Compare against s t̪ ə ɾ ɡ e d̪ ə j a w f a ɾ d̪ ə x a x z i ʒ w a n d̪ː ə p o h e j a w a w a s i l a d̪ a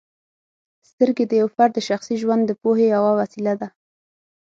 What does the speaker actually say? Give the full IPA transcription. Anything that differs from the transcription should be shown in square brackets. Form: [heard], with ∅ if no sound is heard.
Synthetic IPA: s t̪ ə ɾ ɡ e d̪ ə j a w f a ɾ d̪ ə [ʃ] a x [s] i ʒ w a n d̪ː ə p o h e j a w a w a s i l a d̪ a